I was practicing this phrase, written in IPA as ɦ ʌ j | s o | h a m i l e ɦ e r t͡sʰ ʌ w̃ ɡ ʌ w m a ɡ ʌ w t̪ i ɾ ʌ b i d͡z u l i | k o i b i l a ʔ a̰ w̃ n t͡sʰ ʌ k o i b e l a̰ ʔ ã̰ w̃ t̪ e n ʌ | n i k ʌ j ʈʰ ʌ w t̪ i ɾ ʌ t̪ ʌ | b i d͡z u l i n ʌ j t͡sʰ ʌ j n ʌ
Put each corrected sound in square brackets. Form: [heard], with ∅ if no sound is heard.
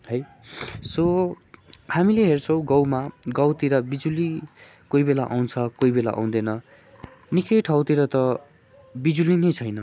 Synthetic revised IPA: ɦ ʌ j | s o | h a m i l e ɦ e r t͡sʰ ʌ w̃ ɡ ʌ w m a ɡ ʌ w t̪ i ɾ ʌ b i d͡z u l i | k o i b [e] l a ʔ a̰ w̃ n t͡sʰ ʌ k o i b e l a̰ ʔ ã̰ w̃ [d̪] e n ʌ | n i k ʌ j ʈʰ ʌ w t̪ i ɾ ʌ t̪ ʌ | b i d͡z u l i n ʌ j t͡sʰ ʌ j n ʌ